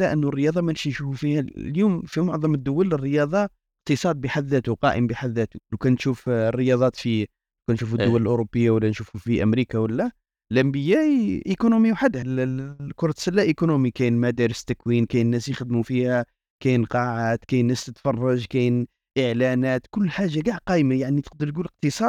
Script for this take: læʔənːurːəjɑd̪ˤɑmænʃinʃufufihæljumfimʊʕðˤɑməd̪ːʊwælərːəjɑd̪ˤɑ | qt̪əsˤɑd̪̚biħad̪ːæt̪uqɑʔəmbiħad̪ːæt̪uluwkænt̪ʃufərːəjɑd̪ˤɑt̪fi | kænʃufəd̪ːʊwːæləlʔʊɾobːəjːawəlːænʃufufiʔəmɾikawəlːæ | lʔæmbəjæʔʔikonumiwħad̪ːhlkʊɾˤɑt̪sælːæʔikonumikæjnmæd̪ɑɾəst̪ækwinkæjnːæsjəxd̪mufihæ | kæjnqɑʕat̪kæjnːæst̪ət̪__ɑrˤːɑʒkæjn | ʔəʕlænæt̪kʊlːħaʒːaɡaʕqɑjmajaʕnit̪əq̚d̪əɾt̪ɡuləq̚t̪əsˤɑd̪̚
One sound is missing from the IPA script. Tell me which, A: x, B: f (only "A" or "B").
B